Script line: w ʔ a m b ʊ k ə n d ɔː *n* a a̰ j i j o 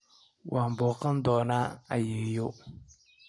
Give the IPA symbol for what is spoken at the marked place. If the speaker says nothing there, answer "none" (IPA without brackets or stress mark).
n